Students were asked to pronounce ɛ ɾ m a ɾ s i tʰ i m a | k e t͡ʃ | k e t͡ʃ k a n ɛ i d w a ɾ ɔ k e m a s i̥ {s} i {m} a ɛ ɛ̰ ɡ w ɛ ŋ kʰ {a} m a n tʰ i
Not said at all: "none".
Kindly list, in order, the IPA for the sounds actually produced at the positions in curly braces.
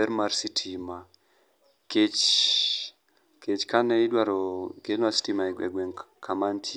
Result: t, m, a

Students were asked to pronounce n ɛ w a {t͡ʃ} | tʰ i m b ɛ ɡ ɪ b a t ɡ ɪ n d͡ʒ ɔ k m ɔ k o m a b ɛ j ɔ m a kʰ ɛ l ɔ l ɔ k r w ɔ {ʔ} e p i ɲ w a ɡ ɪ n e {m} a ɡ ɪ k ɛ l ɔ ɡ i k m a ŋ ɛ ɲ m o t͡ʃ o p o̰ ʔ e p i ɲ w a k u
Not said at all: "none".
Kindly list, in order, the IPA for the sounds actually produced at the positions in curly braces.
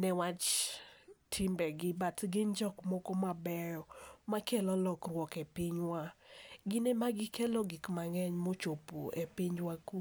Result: t͡ʃ, k, m

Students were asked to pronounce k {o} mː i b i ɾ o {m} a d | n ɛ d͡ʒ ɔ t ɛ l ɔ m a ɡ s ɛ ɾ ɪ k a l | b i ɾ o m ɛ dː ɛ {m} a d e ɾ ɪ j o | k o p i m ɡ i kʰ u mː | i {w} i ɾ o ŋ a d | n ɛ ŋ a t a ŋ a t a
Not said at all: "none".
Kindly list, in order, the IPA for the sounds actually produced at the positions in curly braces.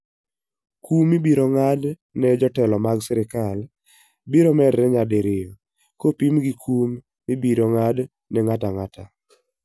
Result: u, ŋ, ɲ, b

